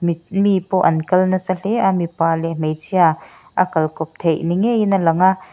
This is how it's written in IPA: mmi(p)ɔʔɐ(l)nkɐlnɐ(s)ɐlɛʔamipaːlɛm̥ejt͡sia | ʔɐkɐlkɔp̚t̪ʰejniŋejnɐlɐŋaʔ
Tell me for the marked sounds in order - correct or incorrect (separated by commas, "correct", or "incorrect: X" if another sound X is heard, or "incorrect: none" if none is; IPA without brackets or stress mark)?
correct, incorrect: none, correct